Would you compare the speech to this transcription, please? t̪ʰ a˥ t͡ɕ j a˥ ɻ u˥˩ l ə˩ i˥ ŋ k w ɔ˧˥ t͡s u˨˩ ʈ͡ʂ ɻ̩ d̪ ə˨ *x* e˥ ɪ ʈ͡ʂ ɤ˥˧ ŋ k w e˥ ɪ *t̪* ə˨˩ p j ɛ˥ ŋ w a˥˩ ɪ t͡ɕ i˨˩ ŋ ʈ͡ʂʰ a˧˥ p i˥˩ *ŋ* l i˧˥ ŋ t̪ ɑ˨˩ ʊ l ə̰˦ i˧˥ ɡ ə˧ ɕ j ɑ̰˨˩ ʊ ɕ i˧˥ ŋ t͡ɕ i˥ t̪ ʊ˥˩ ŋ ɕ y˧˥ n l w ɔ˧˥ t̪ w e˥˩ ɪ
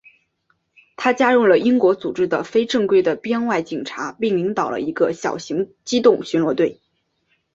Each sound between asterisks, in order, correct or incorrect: incorrect: f, incorrect: d̪, correct

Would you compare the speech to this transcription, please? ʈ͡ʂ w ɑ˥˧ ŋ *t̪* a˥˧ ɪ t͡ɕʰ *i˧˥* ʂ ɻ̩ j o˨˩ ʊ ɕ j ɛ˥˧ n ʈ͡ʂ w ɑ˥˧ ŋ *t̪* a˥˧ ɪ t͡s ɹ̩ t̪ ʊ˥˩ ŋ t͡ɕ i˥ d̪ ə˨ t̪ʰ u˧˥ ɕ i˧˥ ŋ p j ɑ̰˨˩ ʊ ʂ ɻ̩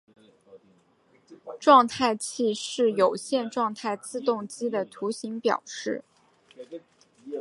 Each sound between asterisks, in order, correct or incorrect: incorrect: t̪ʰ, incorrect: i˥˧, incorrect: t̪ʰ

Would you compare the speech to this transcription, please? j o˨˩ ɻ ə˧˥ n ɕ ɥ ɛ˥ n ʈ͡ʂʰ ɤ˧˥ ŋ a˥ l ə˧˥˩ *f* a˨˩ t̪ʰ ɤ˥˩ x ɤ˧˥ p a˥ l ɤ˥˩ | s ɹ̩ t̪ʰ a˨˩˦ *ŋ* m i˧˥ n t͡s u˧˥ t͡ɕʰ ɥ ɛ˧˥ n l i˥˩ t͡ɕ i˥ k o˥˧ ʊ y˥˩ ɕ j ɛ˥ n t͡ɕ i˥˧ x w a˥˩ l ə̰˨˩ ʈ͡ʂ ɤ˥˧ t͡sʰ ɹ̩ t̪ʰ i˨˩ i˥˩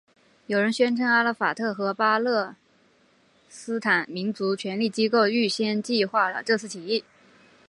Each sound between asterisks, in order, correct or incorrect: correct, incorrect: n

